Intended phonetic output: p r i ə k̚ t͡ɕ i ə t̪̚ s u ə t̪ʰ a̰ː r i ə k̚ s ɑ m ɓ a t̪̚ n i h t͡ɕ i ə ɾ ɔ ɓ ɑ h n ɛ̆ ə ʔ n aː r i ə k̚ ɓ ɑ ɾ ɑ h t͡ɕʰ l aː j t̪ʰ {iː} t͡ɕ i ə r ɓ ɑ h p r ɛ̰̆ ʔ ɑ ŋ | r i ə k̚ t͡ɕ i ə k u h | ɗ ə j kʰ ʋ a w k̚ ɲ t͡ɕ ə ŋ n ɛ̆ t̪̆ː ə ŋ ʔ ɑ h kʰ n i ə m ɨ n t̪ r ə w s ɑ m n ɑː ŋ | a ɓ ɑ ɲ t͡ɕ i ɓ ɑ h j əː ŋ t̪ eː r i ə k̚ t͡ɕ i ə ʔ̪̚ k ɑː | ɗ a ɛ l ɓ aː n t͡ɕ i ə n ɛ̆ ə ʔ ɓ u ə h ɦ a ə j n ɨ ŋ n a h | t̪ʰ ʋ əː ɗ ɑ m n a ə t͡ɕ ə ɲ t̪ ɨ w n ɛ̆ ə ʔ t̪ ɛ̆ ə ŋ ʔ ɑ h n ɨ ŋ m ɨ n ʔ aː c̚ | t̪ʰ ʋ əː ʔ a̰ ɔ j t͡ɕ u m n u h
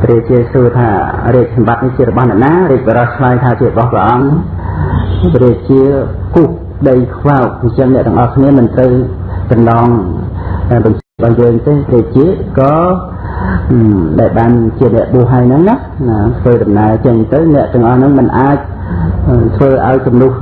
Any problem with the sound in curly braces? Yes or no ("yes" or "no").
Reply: yes